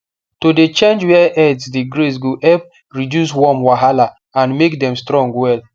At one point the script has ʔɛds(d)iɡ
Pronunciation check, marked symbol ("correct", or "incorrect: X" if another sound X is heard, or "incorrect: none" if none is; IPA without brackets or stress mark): correct